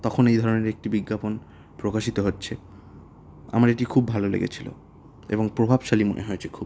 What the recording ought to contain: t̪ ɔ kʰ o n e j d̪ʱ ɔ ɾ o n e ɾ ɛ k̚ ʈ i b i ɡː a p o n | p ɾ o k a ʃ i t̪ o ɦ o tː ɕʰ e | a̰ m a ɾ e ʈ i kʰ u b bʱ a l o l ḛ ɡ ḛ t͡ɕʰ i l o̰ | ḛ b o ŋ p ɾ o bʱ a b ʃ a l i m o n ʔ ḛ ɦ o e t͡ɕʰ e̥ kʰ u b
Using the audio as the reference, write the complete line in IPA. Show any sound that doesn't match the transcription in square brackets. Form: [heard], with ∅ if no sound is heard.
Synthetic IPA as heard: t̪ ɔ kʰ o n e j d̪ʱ ɔ ɾ o n e ɾ [e] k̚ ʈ i b i ɡː a p o n | p ɾ o k a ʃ i t̪ o ɦ o tː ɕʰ e | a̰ m a ɾ e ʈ i kʰ u b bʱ a l o l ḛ ɡ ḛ t͡ɕʰ i l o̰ | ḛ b o ŋ p ɾ o bʱ a b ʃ a l i m o n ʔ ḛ ɦ o e t͡ɕʰ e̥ kʰ u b